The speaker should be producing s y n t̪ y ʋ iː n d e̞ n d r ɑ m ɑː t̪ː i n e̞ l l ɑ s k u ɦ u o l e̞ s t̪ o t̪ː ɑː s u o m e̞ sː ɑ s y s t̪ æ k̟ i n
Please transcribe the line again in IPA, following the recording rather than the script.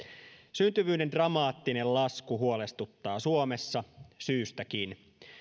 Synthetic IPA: s y n t̪ y ʋ yː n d e̞ n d r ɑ m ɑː t̪ː i n e̞ l l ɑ s k u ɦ u o l e̞ s t̪ u t̪ː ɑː s u o m e̞ sː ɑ s yː s t̪ æ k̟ i n